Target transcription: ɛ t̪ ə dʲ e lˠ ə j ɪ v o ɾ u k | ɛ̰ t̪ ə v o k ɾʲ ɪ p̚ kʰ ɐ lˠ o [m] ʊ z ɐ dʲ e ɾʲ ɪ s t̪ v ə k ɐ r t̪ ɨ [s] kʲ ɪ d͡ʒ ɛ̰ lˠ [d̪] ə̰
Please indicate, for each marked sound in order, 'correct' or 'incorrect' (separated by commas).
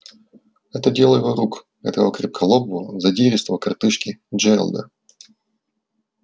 incorrect, incorrect, correct